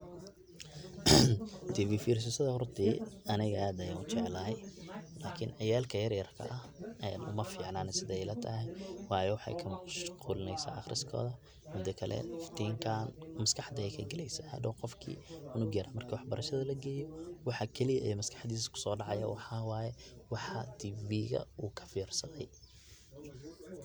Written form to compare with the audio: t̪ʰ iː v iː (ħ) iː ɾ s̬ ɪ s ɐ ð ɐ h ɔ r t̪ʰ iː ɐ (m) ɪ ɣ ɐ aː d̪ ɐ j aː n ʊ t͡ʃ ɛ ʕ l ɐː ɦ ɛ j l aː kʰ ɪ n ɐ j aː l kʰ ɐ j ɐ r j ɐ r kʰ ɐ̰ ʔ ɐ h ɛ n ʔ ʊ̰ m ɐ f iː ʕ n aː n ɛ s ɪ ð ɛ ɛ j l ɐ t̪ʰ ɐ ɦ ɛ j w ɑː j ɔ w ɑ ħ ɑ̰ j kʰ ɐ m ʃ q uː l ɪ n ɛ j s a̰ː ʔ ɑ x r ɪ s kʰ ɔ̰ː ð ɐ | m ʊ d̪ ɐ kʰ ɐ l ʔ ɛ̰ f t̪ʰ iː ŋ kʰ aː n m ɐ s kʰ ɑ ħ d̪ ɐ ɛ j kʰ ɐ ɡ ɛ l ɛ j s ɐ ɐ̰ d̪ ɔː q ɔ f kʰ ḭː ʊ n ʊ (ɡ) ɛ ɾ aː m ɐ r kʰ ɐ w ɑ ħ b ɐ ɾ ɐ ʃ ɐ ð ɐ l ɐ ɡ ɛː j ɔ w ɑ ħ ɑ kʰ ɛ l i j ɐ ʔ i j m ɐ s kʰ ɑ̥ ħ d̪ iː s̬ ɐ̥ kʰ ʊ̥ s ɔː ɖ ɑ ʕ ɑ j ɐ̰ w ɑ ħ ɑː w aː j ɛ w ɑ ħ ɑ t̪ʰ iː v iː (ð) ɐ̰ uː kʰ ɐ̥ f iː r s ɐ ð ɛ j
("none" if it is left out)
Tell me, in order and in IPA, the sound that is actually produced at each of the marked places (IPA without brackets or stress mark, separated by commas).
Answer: f, n, ɡ, ɣ